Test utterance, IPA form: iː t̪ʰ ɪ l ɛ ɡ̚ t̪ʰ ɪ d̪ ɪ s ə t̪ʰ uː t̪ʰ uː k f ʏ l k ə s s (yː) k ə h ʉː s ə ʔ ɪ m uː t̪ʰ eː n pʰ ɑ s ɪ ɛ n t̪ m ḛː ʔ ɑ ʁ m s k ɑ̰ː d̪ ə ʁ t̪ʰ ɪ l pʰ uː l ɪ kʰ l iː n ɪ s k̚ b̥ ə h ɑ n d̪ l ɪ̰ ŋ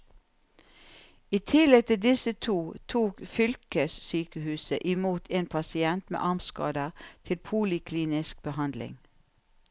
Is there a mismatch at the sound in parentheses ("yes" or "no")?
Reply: no